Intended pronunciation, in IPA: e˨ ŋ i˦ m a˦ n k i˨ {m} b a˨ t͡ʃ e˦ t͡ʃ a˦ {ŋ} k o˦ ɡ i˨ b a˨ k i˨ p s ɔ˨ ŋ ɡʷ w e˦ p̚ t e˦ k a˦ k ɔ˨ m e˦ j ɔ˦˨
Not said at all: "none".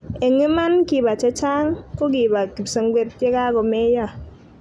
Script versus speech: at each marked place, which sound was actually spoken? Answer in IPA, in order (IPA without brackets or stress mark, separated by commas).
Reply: none, ŋ